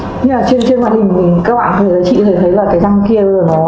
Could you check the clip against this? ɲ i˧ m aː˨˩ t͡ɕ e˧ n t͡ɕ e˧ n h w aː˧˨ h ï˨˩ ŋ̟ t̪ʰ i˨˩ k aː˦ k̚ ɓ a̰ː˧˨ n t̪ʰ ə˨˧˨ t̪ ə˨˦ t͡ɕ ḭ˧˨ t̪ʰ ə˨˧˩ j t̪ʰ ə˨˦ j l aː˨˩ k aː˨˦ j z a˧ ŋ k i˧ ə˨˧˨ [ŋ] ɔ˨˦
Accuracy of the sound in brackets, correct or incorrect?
incorrect